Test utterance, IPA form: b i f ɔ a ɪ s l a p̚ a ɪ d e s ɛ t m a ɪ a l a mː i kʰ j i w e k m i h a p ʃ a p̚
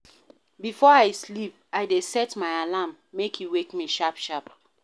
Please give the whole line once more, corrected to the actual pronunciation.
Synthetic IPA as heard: b i f ɔ a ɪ s l i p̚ a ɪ d e s ɛ t m a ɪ a l a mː e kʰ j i w e k m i ʃ a p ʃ a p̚